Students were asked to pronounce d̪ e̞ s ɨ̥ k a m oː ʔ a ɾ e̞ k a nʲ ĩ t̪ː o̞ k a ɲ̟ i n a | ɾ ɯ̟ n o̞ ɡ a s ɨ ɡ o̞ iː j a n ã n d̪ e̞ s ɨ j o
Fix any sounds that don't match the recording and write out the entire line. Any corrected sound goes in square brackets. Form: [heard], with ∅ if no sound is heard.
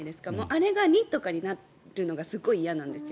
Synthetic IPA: d̪ e̞ s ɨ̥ k a m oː ʔ a ɾ e̞ [ɡ] a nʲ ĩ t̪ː o̞ k a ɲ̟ i n a | ɾ ɯ̟ n o̞ ɡ a s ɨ ɡ o̞ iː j a n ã n d̪ e̞ s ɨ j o